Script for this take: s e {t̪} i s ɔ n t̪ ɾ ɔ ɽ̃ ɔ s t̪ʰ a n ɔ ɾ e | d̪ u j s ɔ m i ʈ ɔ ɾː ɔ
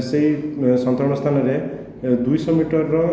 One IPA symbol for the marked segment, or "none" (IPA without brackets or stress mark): none